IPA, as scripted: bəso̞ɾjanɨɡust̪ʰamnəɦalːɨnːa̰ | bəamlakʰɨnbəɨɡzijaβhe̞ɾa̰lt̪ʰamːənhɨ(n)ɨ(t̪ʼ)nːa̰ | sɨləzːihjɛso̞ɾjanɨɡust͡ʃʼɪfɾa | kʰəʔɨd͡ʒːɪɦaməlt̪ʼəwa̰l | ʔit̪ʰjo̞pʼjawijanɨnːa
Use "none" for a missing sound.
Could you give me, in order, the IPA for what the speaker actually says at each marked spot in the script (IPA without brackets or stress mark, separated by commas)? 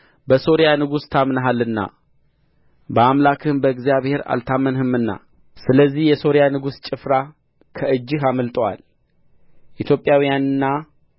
m, none